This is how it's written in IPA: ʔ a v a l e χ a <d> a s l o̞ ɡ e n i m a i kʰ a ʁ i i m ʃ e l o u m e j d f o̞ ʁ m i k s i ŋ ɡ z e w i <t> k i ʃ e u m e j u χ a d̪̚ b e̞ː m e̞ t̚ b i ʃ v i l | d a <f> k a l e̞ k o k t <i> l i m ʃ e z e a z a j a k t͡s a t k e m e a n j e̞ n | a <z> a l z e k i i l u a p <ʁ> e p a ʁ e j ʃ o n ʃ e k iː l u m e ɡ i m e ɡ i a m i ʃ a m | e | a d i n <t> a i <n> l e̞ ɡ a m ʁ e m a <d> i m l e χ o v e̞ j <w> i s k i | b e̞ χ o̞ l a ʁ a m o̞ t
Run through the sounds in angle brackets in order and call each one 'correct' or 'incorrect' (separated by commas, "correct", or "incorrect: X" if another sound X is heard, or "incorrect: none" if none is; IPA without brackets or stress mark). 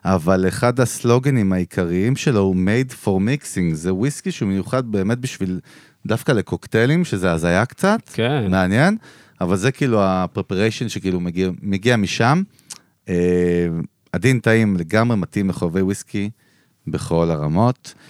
correct, incorrect: s, correct, incorrect: e, incorrect: v, correct, correct, incorrect: m, incorrect: t, correct